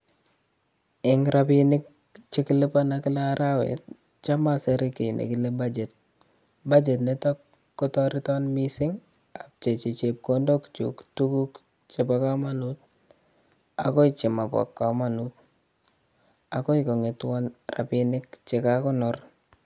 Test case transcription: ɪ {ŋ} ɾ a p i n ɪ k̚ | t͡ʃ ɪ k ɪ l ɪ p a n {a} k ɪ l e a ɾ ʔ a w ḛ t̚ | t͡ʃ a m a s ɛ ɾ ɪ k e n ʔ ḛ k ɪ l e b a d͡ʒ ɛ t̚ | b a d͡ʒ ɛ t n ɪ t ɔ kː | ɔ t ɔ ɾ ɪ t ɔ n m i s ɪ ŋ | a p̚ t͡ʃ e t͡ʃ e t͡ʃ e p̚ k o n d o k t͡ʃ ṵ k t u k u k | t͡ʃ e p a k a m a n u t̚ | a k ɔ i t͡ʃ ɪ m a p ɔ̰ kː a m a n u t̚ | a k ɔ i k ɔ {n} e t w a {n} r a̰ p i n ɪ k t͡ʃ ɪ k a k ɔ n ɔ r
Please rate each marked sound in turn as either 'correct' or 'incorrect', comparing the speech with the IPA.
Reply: correct, correct, incorrect, correct

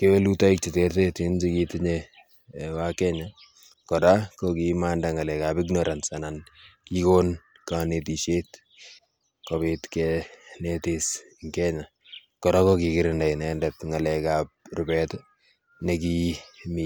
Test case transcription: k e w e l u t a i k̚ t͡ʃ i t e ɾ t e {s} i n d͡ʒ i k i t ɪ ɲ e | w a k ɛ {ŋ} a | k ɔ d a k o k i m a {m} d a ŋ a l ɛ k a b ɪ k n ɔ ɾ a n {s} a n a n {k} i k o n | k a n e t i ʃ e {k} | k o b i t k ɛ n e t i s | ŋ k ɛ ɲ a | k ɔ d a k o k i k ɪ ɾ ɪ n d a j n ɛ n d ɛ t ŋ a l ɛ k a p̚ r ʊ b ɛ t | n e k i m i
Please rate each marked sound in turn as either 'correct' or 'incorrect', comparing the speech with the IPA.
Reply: incorrect, incorrect, incorrect, correct, correct, incorrect

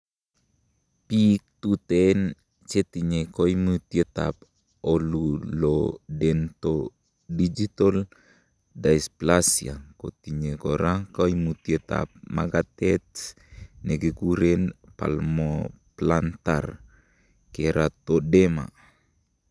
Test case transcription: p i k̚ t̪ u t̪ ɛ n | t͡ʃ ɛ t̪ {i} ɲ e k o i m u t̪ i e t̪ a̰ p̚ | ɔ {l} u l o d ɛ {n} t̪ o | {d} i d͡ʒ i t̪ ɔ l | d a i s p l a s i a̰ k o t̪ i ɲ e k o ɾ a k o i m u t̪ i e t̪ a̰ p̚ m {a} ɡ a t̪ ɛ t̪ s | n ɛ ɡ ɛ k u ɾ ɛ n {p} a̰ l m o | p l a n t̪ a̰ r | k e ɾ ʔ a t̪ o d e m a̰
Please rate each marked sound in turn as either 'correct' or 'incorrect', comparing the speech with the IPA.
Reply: correct, correct, correct, correct, correct, correct

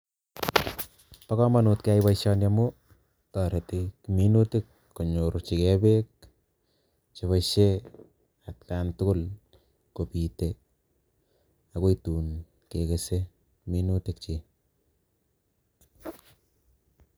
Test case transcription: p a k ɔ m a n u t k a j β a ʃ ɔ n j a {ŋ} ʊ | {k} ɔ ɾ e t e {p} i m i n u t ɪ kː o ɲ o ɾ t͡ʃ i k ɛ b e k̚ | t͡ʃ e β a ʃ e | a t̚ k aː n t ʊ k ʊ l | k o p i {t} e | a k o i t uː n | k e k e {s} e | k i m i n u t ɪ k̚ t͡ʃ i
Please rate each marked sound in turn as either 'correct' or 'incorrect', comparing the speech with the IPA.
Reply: incorrect, incorrect, incorrect, correct, correct

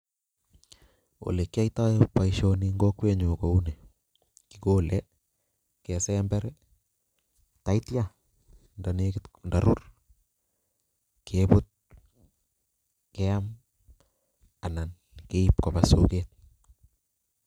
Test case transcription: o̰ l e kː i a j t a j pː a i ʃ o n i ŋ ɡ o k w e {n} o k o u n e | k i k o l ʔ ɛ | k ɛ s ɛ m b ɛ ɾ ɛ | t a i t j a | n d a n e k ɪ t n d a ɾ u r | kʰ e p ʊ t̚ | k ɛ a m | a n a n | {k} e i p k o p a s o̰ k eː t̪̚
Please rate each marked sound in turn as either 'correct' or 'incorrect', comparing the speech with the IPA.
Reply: incorrect, correct

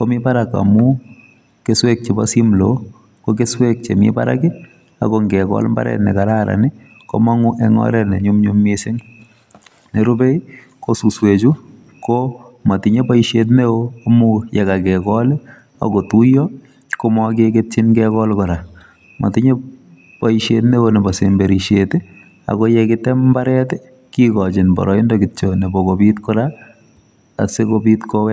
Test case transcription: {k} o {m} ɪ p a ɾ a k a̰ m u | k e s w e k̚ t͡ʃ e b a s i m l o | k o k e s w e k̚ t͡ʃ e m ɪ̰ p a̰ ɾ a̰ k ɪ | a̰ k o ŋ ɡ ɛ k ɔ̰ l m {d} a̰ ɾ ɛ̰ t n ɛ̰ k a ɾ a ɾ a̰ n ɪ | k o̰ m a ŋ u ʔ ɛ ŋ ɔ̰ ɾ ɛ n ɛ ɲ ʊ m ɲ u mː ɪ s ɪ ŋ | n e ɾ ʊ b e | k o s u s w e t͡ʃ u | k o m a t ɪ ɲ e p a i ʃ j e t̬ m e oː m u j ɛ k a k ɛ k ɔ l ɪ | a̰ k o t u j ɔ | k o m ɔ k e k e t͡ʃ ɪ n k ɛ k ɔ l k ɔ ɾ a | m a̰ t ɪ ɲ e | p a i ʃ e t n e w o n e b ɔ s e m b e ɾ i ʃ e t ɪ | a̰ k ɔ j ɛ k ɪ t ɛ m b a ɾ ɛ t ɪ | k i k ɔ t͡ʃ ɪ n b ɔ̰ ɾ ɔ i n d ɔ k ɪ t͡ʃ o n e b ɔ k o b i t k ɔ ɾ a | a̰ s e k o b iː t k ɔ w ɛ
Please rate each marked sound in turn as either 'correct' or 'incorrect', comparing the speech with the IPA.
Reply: correct, correct, incorrect

